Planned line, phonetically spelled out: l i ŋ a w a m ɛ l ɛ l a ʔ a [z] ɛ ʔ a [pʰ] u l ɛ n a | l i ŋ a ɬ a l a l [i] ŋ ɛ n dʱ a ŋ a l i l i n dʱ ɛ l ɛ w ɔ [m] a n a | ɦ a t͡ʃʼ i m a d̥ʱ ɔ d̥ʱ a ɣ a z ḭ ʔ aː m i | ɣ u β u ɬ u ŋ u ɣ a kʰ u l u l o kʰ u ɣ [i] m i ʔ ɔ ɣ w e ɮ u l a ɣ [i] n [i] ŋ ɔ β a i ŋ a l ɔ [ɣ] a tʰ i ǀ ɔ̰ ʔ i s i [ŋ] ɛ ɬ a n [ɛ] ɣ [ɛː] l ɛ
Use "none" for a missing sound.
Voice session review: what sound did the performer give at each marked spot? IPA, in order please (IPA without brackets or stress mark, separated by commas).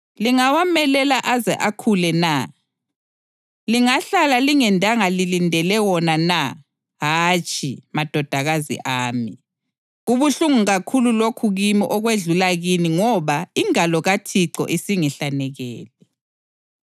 z, kʰ, i, n, i, i, i, ɣ, ŋ, ɛ, ɛː